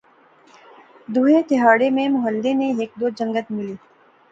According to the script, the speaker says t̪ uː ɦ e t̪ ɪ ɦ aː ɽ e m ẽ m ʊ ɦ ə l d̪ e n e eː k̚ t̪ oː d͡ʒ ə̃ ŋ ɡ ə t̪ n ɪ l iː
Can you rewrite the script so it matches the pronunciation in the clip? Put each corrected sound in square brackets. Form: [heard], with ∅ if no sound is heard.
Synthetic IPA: [d̪] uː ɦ e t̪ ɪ ɦ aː ɽ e m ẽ m ʊ ɦ ə l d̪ e n e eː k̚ [d̪] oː d͡ʒ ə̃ ŋ ɡ ə t̪ [m] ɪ l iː